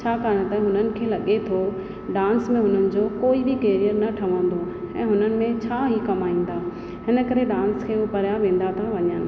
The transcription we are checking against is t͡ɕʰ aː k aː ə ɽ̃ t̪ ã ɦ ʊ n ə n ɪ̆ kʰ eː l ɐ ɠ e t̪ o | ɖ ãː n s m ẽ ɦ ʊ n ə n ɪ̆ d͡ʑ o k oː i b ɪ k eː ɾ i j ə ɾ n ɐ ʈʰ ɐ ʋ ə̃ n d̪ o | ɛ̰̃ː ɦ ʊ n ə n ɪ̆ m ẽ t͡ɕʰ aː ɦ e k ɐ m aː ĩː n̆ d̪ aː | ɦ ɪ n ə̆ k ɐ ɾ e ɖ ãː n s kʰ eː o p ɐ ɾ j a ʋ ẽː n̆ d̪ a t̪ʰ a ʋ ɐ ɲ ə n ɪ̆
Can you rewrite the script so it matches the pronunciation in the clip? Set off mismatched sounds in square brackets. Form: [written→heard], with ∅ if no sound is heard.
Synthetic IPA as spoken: t͡ɕʰ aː k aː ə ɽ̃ t̪ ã ɦ ʊ n ə n ɪ̆ kʰ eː l ɐ ɠ e [t̪→t̪ʰ] o | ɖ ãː n s m ẽ ɦ ʊ n ə n ɪ̆ d͡ʑ o k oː i b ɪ k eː ɾ i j ə ɾ n ɐ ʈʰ ɐ ʋ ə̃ n d̪ o | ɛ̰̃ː ɦ ʊ n ə n ɪ̆ m ẽ t͡ɕʰ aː ɦ [e→i] k ɐ m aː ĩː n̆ d̪ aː | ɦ ɪ n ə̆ k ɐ ɾ e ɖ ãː n s kʰ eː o p ɐ ɾ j a ʋ ẽː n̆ d̪ a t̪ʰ a ʋ ɐ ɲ ə n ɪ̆